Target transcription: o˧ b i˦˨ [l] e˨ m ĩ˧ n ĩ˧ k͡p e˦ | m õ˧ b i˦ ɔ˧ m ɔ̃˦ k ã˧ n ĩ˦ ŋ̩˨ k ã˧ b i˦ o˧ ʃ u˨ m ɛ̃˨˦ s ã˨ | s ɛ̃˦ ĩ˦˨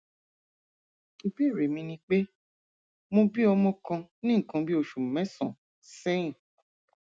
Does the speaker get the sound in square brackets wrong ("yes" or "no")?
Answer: yes